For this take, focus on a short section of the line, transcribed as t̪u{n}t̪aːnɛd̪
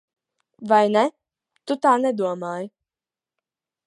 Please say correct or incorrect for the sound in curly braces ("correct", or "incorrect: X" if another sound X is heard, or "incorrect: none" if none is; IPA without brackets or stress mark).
incorrect: none